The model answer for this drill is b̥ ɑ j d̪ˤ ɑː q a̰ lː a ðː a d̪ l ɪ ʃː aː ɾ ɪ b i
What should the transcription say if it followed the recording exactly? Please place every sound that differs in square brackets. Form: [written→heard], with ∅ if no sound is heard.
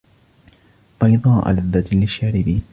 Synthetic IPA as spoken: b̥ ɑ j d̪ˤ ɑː [q→ʔ] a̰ [lː→l] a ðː a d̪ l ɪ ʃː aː ɾ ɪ b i